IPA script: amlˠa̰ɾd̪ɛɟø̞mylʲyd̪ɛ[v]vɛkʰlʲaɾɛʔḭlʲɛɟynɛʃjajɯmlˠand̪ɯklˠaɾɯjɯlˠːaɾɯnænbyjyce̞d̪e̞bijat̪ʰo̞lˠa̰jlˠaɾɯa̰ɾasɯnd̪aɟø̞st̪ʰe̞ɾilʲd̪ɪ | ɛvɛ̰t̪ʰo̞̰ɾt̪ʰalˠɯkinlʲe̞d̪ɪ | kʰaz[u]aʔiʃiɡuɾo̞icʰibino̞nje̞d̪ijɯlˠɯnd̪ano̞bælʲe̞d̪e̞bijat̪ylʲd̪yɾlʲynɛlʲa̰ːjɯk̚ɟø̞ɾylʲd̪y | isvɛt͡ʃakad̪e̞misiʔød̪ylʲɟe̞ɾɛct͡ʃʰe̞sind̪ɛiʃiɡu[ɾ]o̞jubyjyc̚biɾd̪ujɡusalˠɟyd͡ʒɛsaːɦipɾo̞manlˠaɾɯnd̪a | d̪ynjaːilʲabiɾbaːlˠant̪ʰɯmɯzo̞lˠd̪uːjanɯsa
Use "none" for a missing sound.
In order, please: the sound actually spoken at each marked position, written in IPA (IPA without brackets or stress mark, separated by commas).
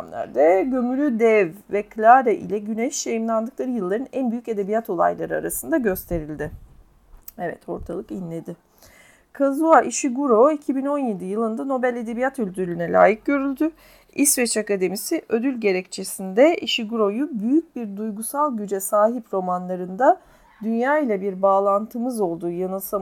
v, u, ɾ